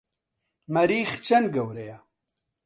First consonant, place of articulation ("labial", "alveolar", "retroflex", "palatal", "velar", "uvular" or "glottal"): labial